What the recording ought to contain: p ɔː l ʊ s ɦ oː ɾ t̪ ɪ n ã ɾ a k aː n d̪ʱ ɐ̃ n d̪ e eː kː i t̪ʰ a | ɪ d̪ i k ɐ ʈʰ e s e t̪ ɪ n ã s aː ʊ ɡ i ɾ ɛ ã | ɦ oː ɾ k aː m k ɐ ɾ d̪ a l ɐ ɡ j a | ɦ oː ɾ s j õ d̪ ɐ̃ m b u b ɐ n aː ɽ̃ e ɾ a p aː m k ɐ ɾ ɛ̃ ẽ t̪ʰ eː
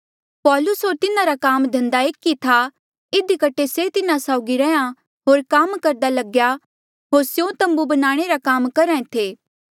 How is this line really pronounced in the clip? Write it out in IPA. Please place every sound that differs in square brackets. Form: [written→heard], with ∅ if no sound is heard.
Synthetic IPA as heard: p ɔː l ʊ s ɦ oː ɾ t̪ ɪ n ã ɾ a k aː [n→m] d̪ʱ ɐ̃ n d̪ [e→a] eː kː i t̪ʰ a | ɪ d̪ i k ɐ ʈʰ e s e t̪ ɪ n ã s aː ʊ ɡ i ɾ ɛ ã | ɦ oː ɾ k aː m k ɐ ɾ d̪ a l ɐ ɡ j a | ɦ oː ɾ s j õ [d̪→t̪] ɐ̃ m b u b ɐ n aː ɽ̃ e ɾ a [p→k] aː m k ɐ ɾ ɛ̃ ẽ t̪ʰ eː